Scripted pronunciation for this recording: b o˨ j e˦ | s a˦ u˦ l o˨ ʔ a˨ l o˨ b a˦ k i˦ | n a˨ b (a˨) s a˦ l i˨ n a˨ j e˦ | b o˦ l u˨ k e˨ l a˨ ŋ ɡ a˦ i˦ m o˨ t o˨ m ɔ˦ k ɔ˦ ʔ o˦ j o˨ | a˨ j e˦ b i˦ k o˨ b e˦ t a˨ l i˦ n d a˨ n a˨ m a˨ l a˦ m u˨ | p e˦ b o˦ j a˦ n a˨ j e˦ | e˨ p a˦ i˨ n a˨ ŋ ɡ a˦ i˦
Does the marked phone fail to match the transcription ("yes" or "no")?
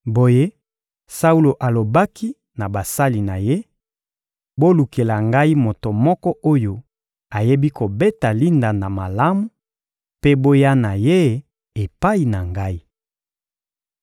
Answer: no